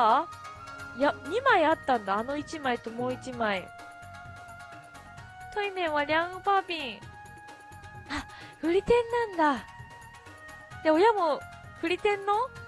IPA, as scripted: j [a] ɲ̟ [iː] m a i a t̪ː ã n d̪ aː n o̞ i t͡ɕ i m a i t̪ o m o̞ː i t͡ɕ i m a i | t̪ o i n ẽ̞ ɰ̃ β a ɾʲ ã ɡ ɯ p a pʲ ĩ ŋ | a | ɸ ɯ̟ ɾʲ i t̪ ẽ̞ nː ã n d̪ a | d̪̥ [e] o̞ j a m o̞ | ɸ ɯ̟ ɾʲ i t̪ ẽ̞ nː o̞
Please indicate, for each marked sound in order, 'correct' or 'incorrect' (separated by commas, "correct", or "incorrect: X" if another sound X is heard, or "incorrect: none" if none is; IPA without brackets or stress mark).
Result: correct, incorrect: i, correct